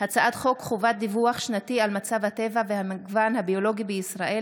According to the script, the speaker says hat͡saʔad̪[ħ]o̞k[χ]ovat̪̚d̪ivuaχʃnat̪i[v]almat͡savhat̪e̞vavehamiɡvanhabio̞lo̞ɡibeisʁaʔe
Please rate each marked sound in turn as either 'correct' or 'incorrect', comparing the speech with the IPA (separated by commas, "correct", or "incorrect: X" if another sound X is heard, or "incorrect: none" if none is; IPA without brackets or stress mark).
incorrect: χ, correct, incorrect: none